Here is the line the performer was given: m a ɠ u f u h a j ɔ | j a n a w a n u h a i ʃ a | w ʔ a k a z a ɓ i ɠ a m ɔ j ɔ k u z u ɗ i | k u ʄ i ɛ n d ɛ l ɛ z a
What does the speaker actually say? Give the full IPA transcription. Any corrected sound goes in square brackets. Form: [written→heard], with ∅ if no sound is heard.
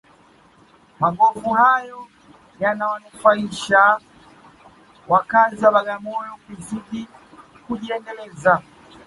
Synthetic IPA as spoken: m a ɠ [u→ɔ] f u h a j ɔ | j a n a w a n u [h→f] a i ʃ a | w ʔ a k a z a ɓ [i→a] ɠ a m ɔ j ɔ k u z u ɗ i | k u ʄ i ɛ n d ɛ l ɛ z a